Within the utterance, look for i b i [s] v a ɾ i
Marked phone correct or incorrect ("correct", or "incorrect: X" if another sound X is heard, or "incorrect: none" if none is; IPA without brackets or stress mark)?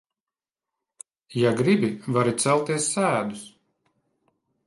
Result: incorrect: none